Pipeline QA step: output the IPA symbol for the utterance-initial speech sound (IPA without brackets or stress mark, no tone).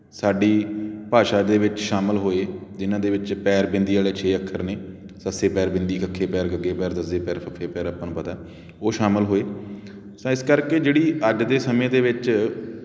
s